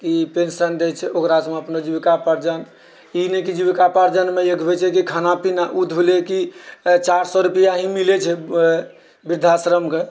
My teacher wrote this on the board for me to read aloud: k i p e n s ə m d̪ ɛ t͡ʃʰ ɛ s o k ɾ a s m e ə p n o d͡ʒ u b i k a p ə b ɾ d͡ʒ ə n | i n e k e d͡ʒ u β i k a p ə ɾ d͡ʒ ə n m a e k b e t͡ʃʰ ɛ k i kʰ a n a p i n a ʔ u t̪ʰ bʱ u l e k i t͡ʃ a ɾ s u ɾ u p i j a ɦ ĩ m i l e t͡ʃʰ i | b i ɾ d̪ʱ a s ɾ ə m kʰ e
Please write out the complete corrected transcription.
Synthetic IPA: k i p e n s ə n d̪ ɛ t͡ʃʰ ɛ o k ɾ a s m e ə p n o d͡ʒ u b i k a p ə ɾ d͡ʒ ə n | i n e k i d͡ʒ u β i k a p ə ɾ d͡ʒ ə n m e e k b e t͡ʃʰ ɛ k i kʰ a n a p i n a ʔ u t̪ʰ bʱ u l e k i t͡ʃ a ɾ s ɔ ɾ u p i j a ɦ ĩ m i l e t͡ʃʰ ɛ | b i ɾ d̪ʱ a s ɾ ə m k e

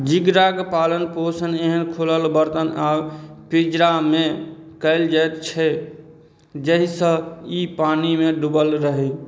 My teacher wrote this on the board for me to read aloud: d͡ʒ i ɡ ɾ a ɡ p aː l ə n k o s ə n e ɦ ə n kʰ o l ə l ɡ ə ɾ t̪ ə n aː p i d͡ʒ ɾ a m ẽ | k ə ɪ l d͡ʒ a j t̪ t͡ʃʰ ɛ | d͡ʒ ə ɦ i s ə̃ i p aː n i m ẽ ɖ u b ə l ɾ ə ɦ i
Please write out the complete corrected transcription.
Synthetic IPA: d͡ʒ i ɡ ɾ a ɡ p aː l ə n p o s ə n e ɦ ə n kʰ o l ə l b ə ɾ t̪ ə n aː p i d͡ʒ ɾ a m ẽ | k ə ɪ l d͡ʒ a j t̪ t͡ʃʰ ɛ | d͡ʒ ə ɦ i s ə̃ i p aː n i m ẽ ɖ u b ə l ɾ ə ɦ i

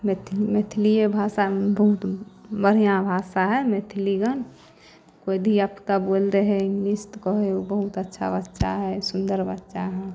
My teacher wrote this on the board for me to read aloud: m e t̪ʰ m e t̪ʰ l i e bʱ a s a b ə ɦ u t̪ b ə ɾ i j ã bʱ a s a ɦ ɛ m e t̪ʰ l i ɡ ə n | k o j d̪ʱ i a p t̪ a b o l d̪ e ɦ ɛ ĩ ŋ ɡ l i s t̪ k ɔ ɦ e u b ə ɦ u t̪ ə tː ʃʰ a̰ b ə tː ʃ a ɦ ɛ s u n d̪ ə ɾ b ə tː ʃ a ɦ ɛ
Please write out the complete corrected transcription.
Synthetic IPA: m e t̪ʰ m e t̪ʰ l i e bʱ a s a b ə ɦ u t̪ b ə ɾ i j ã bʱ a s a ɦ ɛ m e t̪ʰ l i ɡ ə n | k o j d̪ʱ i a p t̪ a b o l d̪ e ɦ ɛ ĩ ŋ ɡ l i s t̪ k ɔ ɦ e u b ə ɦ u t̪ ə tː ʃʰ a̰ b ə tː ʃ a ɦ ɛ s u n d̪ ə ɾ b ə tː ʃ a ɦ ɛ

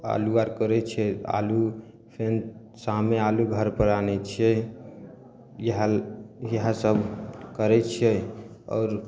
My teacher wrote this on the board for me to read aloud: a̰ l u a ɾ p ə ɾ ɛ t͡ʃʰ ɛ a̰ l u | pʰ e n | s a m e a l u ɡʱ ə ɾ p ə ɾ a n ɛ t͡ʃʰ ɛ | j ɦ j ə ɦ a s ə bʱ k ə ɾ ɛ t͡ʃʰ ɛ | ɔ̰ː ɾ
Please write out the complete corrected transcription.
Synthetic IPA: a̰ l u a ɾ k ə ɾ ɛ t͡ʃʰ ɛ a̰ l u | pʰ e n | s a m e a l u ɡʱ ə ɾ p ə ɾ a n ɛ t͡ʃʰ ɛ | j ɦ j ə ɦ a s ə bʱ k ə ɾ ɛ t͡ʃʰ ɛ | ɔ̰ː ɾ

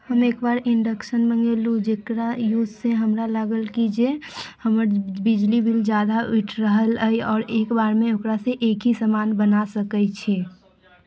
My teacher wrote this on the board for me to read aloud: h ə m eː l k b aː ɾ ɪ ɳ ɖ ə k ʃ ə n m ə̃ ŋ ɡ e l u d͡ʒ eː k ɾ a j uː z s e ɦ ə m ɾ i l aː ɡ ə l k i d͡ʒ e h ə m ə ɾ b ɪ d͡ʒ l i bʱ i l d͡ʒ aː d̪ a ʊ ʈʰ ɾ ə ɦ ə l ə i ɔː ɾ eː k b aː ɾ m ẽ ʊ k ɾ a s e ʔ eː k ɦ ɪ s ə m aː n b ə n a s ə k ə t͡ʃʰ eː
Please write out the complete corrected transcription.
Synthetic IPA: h ə m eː k b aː ɾ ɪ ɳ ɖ ə k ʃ ə n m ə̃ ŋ ɡ e l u d͡ʒ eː k ɾ a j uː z s e ɦ ə m ɾ a l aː ɡ ə l k i d͡ʒ e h ə m ə ɾ b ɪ d͡ʒ l i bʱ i l d͡ʒ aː d̪ a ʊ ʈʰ ɾ ə ɦ ə l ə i ɔː ɾ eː k b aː ɾ m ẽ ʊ k ɾ a s e ʔ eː k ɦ i s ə m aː n b ə n a s ə k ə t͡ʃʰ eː

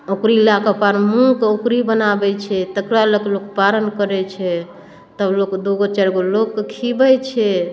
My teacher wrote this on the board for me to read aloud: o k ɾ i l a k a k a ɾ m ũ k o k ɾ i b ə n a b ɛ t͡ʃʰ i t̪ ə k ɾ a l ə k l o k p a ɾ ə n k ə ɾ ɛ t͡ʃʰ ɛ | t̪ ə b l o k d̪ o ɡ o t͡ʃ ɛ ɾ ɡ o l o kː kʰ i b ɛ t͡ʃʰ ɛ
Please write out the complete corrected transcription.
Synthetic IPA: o k ɾ i l a k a p a ɾ m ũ k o k ɾ i b ə n a b ɛ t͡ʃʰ ɛ t̪ ə k ɾ a l ə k l o k p a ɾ ə n k ə ɾ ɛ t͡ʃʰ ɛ | t̪ ə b l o k d̪ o ɡ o t͡ʃ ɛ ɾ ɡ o l o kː kʰ i b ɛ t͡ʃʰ ɛ

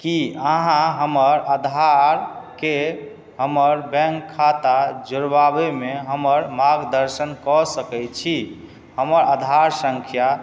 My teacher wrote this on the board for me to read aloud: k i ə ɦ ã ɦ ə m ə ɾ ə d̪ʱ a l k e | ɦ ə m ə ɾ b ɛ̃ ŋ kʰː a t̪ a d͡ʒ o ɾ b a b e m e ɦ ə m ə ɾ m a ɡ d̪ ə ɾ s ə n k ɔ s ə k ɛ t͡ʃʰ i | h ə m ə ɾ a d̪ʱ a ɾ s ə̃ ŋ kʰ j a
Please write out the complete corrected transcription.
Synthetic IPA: k i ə ɦ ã ɦ ə m ə ɾ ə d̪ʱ a ɾ k e | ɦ ə m ə ɾ b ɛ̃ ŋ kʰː a t̪ a d͡ʒ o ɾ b a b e m e ɦ ə m ə ɾ m a ɡ d̪ ə ɾ s ə n k ɔ s ə k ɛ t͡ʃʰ i | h ə m ə ɾ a d̪ʱ a ɾ s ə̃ ŋ kʰ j a

